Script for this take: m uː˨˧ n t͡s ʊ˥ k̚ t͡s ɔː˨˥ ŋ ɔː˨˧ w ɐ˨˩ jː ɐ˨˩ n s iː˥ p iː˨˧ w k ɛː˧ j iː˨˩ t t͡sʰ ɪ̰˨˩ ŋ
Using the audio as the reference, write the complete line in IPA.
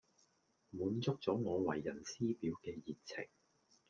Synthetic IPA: m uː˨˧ n t͡s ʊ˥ k̚ t͡s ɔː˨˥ ŋ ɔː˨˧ w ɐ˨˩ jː ɐ˨˩ n s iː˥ p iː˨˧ w k ɛː˧ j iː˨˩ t t͡sʰ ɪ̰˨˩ ŋ